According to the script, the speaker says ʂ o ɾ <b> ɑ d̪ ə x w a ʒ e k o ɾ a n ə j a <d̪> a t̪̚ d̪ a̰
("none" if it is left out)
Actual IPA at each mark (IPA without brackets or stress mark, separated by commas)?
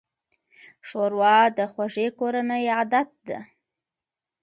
w, d̪